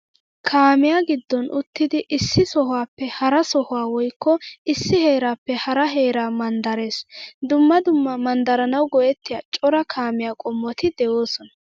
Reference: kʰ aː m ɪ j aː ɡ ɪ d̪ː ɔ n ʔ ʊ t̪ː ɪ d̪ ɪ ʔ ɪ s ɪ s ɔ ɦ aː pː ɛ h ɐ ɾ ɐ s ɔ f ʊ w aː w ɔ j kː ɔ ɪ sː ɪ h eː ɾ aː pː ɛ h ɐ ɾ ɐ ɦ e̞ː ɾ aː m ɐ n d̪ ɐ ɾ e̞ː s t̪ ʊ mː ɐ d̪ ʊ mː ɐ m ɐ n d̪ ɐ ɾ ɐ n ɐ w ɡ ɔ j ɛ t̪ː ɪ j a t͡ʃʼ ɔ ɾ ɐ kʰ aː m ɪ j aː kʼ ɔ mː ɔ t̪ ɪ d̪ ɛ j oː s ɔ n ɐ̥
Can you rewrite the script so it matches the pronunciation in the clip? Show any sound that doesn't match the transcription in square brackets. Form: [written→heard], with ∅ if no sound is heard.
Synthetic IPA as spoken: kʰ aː m ɪ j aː ɡ ɪ d̪ː ɔ n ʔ ʊ t̪ː ɪ d̪ ɪ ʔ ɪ [s→sː] ɪ s ɔ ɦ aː pː ɛ h ɐ ɾ ɐ s ɔ [f→h] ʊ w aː w ɔ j kː ɔ ɪ sː ɪ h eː ɾ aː pː ɛ h ɐ ɾ ɐ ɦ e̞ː ɾ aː m ɐ n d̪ ɐ ɾ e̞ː s [t̪→d̪] ʊ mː ɐ d̪ ʊ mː ɐ m ɐ n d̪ ɐ ɾ ɐ n ɐ w ɡ ɔ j ɛ t̪ː ɪ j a t͡ʃʼ ɔ ɾ ɐ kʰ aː m ɪ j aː kʼ ɔ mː ɔ t̪ ɪ d̪ ɛ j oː s ɔ n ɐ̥